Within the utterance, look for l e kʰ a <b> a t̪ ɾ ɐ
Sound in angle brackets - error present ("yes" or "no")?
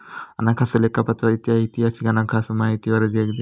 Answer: yes